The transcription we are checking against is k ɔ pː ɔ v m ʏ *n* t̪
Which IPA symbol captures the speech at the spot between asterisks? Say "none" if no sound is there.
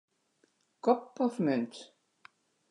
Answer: n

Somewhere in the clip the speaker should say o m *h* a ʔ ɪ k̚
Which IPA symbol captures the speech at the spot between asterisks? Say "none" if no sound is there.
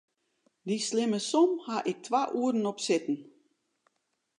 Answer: h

